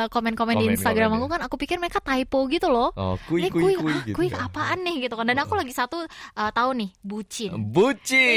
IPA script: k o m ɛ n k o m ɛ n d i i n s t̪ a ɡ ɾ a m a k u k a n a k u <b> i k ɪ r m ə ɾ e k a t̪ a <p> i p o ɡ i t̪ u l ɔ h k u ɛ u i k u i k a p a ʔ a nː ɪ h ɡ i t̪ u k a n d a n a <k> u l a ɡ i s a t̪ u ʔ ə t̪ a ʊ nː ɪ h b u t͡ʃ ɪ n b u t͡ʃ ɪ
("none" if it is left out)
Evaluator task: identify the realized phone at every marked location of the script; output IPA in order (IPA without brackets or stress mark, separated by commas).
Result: p, none, k